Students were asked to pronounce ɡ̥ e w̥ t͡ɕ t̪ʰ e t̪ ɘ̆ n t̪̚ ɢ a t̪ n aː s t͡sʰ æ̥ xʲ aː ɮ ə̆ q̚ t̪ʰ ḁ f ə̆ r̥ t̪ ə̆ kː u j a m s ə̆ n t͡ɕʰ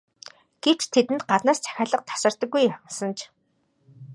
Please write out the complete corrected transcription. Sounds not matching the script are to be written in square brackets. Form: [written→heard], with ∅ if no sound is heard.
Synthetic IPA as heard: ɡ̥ e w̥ t͡ɕ t̪ʰ e t̪ ɘ̆ n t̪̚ ɢ a t̪ n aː s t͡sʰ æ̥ xʲ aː ɮ ə̆ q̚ t̪ʰ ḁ [f→s] ə̆ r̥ t̪ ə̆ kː u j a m s ə̆ n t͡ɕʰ